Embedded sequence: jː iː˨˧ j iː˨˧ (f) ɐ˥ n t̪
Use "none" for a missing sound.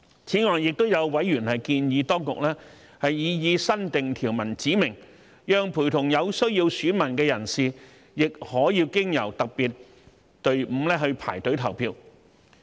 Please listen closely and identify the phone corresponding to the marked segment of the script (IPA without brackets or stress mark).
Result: s